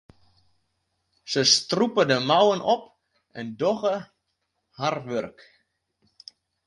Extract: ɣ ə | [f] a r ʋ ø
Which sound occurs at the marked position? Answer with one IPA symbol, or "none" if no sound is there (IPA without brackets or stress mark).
h